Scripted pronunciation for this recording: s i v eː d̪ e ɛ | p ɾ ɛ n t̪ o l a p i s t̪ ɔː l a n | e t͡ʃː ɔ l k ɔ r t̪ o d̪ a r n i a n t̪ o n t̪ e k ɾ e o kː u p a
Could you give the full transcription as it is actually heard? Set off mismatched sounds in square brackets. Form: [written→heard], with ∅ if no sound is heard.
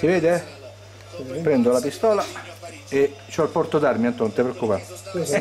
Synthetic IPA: s i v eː d̪ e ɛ | p ɾ ɛ n [t̪→d̪] o l a p i s t̪ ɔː l a [n→∅] | e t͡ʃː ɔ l [k→p] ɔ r t̪ o d̪ a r [n→m] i a n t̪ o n t̪ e [k→p] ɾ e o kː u p a

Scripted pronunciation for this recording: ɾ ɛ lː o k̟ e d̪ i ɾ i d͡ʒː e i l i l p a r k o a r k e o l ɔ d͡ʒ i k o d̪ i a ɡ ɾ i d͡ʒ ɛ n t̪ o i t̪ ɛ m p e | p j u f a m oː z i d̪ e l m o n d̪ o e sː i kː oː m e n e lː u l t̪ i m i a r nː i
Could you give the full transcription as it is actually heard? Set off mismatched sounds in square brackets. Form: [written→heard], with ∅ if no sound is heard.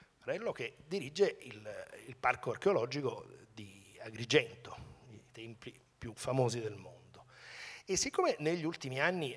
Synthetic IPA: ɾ ɛ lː o k̟ e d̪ i ɾ i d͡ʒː e i l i l p a r k o a r k e o l ɔ d͡ʒ i k o d̪ i a ɡ ɾ i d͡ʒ ɛ n t̪ o i t̪ ɛ m p [e→i] | p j u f a m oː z i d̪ e l m o n d̪ o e sː i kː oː m e n e [lː→ʎː] u l t̪ i m i a [r→∅] nː i

